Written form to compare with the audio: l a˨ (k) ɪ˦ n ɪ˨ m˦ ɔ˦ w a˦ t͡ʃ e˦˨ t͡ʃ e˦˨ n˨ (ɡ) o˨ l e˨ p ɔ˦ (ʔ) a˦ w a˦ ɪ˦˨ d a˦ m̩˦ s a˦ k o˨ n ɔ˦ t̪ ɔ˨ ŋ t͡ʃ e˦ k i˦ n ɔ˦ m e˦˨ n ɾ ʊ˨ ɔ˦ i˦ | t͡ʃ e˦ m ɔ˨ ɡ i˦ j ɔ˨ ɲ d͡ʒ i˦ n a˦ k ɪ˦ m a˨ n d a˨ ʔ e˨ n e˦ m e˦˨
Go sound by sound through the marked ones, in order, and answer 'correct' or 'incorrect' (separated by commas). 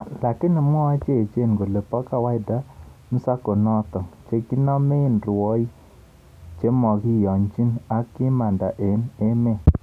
correct, correct, incorrect